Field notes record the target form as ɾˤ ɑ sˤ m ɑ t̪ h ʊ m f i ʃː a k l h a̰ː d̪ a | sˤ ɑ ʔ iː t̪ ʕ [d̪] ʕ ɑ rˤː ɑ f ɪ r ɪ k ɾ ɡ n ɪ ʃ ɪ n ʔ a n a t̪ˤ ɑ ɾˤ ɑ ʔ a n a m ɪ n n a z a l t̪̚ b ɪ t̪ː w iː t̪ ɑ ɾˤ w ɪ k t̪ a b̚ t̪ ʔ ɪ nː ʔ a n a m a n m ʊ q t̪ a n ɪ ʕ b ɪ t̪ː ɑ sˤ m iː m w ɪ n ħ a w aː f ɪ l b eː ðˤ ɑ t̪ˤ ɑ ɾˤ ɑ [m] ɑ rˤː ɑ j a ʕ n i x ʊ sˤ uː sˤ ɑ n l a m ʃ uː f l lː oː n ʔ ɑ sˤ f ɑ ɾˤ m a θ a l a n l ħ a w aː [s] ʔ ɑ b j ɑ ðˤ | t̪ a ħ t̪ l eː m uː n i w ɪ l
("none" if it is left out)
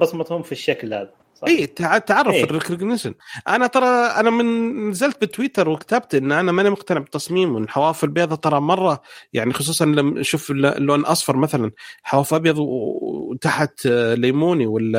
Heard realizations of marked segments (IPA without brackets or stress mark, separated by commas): t̪, m, f